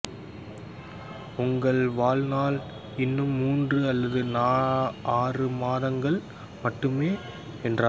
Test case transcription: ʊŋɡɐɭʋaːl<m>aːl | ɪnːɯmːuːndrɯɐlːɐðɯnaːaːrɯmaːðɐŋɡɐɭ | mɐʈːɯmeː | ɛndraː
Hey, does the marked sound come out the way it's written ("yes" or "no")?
no